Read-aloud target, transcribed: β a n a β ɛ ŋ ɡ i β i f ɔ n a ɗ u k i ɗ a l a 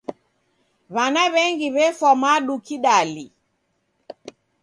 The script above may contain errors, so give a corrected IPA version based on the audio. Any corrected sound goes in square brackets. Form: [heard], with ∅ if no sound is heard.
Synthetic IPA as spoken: β a n a β ɛ ŋ ɡ i β [ɛ] f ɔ [m] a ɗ u k i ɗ a l [i]